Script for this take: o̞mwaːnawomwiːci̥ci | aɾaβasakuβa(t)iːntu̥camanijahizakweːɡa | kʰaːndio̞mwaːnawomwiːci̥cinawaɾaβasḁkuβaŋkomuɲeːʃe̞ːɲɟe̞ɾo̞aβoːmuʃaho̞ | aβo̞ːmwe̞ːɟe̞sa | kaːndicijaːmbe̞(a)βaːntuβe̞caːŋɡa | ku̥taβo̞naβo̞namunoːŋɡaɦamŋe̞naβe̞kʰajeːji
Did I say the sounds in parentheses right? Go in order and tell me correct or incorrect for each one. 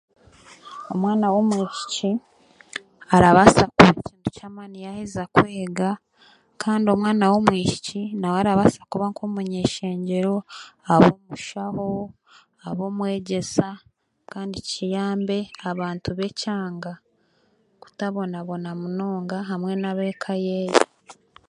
incorrect: c, correct

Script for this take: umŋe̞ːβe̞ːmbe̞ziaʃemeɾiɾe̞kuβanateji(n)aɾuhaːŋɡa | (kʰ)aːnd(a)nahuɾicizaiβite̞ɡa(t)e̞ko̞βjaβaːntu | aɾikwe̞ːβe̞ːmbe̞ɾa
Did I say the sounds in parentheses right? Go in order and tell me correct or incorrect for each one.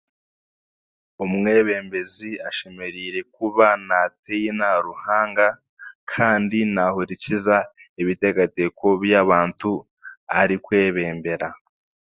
correct, correct, incorrect: i, correct

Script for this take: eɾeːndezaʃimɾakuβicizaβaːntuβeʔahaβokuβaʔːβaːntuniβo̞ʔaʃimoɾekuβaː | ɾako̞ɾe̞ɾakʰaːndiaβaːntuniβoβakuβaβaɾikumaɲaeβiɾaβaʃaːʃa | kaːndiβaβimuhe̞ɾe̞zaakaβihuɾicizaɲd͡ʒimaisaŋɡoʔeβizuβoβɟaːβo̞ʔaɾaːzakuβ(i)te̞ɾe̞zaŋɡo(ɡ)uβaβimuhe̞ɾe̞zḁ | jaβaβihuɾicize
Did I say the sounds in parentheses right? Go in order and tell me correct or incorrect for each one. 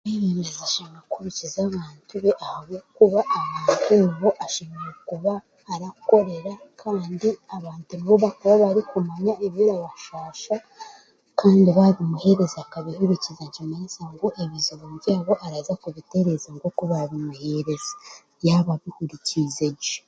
correct, incorrect: k

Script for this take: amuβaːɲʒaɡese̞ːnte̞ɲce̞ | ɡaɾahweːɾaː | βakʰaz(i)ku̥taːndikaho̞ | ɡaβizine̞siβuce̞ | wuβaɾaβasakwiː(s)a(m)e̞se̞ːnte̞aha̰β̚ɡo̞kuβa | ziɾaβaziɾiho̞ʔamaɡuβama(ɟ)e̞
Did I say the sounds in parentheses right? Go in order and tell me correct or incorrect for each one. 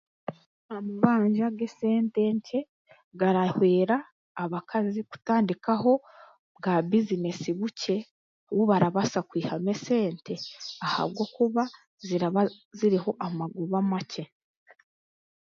correct, incorrect: h, correct, incorrect: c

